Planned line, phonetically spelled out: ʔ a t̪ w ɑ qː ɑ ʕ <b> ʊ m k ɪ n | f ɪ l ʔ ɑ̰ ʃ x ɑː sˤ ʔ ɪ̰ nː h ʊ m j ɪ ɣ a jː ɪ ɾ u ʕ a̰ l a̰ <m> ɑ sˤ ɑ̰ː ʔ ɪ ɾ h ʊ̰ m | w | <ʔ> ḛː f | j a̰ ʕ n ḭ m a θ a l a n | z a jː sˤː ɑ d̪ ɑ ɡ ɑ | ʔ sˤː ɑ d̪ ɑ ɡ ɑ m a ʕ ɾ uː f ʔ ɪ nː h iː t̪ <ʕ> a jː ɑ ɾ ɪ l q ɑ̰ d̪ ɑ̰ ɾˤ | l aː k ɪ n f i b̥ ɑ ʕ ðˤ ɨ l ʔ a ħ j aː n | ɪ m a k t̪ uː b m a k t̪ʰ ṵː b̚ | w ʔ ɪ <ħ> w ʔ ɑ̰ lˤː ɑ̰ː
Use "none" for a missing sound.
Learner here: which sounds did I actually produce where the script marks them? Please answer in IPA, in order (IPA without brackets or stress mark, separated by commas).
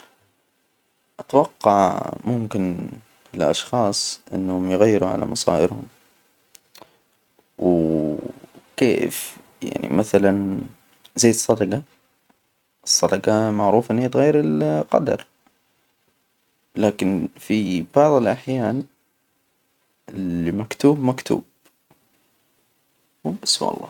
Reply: m, m, k, ɣ, s